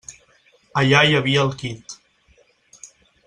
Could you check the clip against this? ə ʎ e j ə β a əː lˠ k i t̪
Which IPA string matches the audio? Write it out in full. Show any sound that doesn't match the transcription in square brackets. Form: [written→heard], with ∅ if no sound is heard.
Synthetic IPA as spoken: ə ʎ [e→a] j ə β [a→i] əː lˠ k i t̪